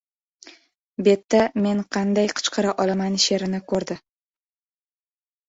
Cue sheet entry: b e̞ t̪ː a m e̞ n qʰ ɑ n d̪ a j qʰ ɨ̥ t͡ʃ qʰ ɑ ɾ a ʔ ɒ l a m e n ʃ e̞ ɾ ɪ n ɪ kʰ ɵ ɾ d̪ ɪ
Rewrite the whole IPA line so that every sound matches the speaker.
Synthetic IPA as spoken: b e̞ t̪ː a m e̞ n qʰ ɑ n d̪ a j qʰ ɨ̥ t͡ʃ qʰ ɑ ɾ a ʔ ɒ l a m a n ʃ e̞ ɾ ɪ n ɪ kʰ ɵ ɾ d̪ ɪ

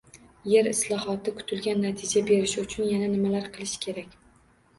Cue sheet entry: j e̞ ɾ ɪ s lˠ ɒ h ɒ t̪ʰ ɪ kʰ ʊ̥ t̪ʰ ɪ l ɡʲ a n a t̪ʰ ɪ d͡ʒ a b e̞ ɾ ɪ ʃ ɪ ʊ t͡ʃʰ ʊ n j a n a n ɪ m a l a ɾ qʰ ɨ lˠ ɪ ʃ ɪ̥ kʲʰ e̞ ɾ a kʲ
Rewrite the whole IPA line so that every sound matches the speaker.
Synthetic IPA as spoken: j e̞ ɾ ɪ s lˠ ɒ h ɒ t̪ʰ ɪ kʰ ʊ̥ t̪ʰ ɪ l ɡʲ a nː a t̪ʰ ɪ d͡ʒ a b e̞ ɾ ɪ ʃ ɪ ʊ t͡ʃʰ ʊ n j a n a n ɪ m a l a ɾ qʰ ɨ lˠ ɪ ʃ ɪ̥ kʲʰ e̞ ɾ a kʲ

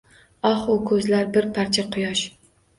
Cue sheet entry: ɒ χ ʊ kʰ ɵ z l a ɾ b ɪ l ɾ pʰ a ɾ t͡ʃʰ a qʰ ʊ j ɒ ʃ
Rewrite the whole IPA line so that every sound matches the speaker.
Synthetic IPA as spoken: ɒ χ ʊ kʰ ɵ z l a ɾ b ɪ ɾ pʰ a ɾ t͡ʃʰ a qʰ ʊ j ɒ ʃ

